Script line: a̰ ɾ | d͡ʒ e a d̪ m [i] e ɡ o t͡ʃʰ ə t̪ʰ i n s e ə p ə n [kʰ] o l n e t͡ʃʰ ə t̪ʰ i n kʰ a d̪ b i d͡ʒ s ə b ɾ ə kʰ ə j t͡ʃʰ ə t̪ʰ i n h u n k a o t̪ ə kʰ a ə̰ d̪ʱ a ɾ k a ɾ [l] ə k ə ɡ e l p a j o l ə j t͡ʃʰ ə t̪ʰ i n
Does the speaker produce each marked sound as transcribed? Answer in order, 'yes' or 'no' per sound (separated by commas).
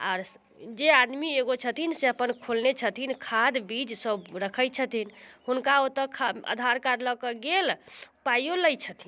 yes, yes, yes